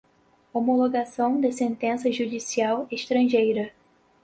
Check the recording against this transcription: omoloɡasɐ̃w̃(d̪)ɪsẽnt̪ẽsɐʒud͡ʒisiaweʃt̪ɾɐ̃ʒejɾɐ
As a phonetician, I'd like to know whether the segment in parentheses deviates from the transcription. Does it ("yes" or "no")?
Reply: no